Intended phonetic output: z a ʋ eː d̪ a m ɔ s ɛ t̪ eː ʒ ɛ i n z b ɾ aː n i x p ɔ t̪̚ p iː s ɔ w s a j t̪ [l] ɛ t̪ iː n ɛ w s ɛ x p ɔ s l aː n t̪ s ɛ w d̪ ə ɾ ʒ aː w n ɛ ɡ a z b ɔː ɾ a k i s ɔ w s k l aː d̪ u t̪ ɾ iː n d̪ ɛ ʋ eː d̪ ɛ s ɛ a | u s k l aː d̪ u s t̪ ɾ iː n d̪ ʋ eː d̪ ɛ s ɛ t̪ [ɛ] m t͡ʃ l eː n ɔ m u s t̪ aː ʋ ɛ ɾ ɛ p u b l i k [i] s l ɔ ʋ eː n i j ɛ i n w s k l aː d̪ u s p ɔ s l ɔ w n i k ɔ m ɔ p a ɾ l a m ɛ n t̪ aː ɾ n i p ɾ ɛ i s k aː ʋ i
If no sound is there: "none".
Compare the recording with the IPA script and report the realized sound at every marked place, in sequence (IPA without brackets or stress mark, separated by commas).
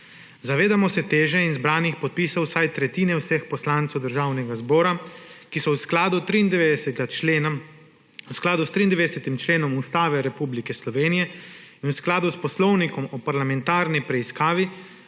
ɾ, i, ɛ